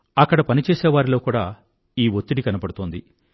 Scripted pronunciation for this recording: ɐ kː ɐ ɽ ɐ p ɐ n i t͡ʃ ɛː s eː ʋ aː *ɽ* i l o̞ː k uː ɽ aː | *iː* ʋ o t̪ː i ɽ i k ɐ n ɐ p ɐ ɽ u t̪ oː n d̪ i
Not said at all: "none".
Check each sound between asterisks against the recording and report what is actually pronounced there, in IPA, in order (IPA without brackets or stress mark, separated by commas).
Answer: ɾ, iː